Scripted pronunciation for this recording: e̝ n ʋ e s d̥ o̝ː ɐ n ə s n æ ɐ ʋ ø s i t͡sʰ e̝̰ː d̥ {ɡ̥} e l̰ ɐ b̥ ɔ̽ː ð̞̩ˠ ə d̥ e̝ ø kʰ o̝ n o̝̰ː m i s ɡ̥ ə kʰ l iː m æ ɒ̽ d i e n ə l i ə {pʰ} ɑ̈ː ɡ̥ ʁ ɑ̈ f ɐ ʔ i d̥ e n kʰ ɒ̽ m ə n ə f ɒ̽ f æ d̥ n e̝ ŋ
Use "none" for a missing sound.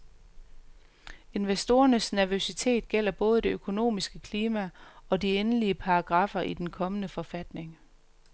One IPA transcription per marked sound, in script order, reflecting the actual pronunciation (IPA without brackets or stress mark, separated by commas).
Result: ɡ̥, pʰ